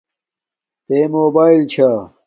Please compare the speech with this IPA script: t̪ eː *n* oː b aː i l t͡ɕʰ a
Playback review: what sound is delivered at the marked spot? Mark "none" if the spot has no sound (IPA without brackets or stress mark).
m